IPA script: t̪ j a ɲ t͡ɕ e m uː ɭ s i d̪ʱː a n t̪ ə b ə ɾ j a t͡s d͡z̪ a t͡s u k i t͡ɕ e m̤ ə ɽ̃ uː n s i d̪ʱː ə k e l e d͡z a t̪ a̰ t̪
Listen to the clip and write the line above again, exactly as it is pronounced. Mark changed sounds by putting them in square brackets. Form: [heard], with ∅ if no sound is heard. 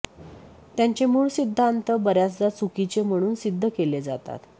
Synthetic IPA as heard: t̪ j a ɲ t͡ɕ e m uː ɭ s i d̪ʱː a n t̪ ə b ə ɾ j a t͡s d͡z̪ a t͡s u k i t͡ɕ e m̤ ə ɽ̃ uː n s i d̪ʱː ə k e l e d͡z a t̪ a̰ t̪